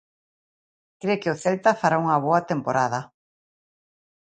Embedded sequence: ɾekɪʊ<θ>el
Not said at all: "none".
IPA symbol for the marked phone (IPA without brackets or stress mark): θ